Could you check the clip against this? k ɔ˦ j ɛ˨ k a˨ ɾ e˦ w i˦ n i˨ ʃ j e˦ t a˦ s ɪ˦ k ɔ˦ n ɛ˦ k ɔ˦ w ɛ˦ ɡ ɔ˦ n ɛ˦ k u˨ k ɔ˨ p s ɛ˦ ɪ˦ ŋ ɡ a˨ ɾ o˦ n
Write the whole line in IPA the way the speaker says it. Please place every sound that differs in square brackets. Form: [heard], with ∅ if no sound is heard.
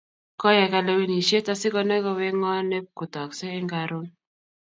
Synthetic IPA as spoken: k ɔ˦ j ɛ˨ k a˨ [l] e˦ w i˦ n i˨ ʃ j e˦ t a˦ s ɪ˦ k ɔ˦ n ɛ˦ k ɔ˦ w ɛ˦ [ŋ] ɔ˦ n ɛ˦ k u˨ [t] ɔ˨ [k] s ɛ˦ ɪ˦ ŋ ɡ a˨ ɾ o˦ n

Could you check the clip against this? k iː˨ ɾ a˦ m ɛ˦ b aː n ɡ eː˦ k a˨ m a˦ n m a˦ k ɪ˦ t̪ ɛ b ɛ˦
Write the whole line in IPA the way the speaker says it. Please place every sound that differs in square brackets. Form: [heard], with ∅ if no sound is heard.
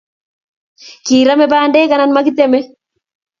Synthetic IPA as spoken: k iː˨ ɾ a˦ m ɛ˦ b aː n [d] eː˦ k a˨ [n] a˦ n m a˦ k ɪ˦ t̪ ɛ [m] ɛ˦

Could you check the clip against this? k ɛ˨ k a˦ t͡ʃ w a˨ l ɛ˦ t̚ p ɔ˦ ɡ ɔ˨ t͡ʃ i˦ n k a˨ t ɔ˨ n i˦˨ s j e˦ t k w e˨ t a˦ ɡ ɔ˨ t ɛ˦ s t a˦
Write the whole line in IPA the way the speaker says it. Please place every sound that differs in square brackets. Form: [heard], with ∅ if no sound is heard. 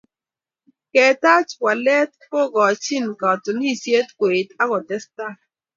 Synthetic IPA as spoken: k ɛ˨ [t] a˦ t͡ʃ w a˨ l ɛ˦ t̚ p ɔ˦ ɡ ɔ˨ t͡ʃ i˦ n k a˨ t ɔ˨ n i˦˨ s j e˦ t k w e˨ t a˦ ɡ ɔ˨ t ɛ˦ s t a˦

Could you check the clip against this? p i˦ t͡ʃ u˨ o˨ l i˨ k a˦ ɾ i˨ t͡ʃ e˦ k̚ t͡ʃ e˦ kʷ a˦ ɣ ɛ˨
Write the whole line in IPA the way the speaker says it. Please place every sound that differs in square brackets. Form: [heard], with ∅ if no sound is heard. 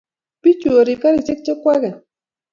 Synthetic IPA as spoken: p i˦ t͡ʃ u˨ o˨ [ɾ] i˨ k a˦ ɾ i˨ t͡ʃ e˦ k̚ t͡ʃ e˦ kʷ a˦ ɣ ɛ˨

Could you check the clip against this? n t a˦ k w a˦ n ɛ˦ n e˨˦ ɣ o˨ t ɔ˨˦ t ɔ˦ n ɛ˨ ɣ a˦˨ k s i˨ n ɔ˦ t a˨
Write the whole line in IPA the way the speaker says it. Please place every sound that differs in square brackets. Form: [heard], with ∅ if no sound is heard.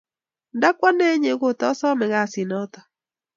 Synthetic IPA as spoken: n [d] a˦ k w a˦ n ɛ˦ [ɲ] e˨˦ ɣ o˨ t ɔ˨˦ [s] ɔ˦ [m] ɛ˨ ɣ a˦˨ [∅] s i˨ n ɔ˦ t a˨

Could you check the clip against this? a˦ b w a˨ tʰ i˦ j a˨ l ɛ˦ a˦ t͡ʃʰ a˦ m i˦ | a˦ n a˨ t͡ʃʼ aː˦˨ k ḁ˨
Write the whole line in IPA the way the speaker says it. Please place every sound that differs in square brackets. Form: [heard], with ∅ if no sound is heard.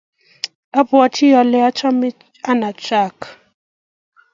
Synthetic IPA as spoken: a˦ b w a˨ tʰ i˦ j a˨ l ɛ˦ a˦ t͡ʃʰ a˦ m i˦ | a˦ n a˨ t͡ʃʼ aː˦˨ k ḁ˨

